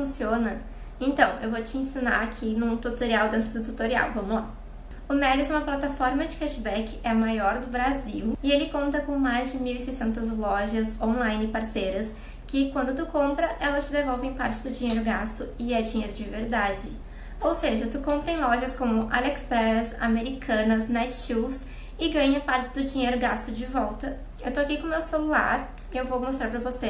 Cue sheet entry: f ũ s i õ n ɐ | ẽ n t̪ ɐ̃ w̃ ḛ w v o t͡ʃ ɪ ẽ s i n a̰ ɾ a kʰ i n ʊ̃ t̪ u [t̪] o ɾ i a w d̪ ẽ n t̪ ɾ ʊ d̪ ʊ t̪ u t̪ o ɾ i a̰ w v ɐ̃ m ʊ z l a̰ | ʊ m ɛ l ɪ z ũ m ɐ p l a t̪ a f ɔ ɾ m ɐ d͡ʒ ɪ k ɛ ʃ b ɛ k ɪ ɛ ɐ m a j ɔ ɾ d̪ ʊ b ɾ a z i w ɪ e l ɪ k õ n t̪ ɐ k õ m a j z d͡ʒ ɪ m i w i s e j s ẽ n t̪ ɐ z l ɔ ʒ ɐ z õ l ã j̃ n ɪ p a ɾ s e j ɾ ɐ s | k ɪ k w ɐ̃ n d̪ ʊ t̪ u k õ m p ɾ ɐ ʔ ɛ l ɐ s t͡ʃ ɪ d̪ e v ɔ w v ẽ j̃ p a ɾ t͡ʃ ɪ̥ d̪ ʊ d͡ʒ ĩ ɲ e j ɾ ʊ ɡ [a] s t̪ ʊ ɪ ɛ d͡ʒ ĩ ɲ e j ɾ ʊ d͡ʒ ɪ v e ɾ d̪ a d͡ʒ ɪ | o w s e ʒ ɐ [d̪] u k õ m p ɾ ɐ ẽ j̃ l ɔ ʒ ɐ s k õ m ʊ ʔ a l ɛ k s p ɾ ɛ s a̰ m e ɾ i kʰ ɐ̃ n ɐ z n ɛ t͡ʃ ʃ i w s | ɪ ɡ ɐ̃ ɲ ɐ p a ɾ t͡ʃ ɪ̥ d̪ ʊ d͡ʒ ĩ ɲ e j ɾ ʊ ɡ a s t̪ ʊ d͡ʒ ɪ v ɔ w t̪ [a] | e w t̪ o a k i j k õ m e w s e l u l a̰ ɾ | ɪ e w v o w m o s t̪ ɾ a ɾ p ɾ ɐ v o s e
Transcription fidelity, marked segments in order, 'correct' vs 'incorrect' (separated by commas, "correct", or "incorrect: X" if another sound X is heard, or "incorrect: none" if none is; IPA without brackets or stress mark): correct, correct, incorrect: t̪, incorrect: ɐ